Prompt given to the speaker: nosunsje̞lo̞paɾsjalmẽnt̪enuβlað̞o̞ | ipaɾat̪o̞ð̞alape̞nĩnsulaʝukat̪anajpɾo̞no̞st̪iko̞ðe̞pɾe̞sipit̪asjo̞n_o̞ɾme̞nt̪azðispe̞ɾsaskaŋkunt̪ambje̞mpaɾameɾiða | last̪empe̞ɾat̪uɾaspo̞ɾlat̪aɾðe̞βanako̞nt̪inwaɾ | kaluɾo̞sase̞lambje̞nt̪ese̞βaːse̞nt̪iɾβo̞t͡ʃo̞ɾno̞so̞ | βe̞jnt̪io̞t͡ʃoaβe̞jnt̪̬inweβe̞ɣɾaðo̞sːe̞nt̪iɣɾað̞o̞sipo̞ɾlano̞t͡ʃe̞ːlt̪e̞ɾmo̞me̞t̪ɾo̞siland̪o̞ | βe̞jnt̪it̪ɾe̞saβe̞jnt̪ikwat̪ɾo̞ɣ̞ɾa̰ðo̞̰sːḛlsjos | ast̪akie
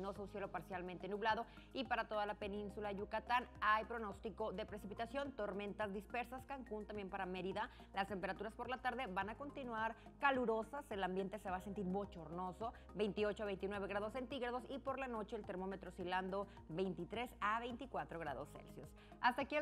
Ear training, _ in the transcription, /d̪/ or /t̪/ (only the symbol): t̪